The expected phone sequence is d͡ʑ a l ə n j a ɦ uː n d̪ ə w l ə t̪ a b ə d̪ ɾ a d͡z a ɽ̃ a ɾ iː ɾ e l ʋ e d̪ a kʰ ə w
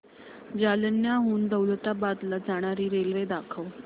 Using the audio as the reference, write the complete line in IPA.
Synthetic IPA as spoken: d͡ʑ a l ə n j a ɦ uː n d̪ ə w l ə t̪ a b a d̪ l a d͡z a ɽ̃ a ɾ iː ɾ e l ʋ e d̪ a kʰ ə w